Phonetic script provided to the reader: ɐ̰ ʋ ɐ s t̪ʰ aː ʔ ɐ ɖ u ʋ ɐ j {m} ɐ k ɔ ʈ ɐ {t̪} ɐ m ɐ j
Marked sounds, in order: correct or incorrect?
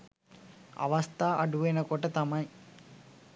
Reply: incorrect, correct

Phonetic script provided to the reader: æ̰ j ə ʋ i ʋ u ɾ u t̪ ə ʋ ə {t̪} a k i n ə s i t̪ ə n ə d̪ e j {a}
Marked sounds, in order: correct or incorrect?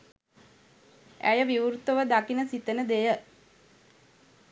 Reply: incorrect, incorrect

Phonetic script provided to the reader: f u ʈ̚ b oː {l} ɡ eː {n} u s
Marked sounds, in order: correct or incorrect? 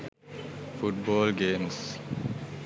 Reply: correct, incorrect

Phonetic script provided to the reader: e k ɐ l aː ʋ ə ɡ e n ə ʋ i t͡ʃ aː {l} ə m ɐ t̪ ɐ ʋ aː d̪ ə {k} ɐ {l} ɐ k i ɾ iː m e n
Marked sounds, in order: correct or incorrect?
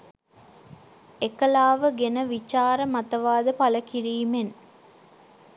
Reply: incorrect, incorrect, correct

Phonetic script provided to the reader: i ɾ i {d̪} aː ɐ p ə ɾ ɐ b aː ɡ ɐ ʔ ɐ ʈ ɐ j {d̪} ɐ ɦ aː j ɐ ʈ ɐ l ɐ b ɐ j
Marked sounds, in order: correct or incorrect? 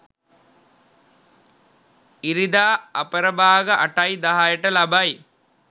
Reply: correct, correct

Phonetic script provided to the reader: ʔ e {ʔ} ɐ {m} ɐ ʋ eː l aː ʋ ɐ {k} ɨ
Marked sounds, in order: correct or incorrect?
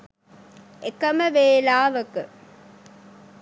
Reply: incorrect, correct, correct

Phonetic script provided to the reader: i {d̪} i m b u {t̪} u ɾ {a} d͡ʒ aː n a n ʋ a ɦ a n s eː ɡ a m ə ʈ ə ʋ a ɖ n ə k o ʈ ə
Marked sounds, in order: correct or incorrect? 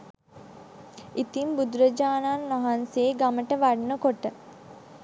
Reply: incorrect, incorrect, incorrect

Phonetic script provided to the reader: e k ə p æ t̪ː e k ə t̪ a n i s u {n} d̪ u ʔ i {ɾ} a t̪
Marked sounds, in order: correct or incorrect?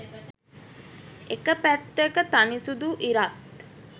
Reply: incorrect, correct

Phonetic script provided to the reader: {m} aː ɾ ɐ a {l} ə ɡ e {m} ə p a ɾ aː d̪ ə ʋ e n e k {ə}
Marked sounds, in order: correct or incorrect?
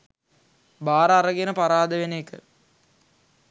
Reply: incorrect, incorrect, incorrect, correct

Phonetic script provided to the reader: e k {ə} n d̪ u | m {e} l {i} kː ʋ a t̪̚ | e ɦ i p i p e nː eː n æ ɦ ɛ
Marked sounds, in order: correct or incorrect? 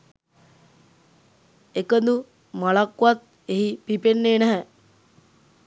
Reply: correct, incorrect, incorrect

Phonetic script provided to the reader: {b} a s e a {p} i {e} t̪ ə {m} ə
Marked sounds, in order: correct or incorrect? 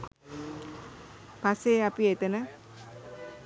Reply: incorrect, correct, correct, incorrect

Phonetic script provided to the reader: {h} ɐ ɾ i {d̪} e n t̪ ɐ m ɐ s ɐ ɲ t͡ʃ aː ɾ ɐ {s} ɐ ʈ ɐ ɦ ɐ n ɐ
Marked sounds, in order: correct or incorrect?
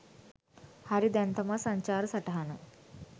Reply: correct, correct, correct

